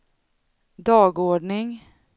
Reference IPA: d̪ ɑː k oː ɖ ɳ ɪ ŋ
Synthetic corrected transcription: d̪ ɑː ɡ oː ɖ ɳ ɪ ŋ